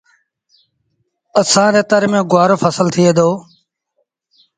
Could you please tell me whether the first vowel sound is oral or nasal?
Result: oral